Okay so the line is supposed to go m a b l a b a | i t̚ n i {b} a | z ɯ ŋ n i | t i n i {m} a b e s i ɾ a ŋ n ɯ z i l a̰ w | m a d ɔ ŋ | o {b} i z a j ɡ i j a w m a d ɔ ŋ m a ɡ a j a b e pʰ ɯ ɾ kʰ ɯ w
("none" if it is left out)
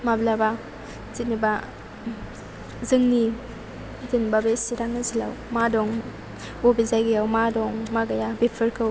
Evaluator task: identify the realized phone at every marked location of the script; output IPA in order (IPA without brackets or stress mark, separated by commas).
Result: b, b, b